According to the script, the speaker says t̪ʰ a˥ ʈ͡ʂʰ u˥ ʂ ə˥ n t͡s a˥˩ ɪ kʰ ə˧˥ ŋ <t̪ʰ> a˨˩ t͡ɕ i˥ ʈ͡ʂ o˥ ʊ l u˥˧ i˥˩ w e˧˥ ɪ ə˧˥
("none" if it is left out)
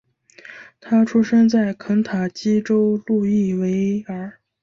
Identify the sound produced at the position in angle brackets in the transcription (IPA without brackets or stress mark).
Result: t̪ʰ